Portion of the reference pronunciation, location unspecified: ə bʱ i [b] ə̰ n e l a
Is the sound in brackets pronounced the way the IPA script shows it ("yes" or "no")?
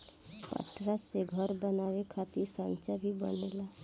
yes